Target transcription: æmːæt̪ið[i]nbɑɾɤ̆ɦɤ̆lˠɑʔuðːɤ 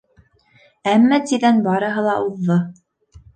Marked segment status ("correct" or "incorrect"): incorrect